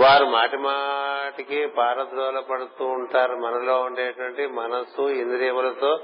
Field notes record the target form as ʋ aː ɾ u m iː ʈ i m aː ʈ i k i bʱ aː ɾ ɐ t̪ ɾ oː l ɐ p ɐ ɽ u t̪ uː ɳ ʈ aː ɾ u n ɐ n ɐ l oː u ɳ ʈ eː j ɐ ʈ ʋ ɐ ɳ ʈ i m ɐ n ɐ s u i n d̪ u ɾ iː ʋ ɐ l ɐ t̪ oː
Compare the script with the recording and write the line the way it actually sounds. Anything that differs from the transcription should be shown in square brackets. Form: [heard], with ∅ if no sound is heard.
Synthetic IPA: ʋ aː ɾ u m [aː] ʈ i m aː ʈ i k i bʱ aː ɾ ɐ t̪ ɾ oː l ɐ p ɐ ɽ u t̪ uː ɳ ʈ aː ɾ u [m] ɐ n ɐ l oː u ɳ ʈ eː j ɐ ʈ ʋ ɐ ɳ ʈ i m ɐ n ɐ s u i n d̪ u ɾ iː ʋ ɐ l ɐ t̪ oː